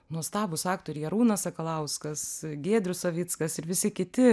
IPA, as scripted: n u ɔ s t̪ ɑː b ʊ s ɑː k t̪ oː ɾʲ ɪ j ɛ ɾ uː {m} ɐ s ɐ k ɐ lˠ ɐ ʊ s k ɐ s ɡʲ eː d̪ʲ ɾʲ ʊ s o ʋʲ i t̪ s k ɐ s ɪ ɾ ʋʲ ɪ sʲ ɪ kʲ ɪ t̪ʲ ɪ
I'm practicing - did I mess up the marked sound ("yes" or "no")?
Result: yes